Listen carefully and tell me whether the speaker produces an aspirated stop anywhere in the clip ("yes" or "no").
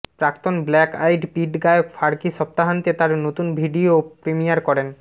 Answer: no